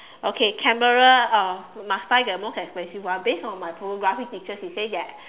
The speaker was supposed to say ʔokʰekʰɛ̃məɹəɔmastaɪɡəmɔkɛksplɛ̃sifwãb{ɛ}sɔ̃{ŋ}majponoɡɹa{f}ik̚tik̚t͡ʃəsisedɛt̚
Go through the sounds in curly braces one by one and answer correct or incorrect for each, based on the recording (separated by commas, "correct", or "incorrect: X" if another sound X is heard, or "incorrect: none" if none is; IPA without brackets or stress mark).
incorrect: e, incorrect: n, correct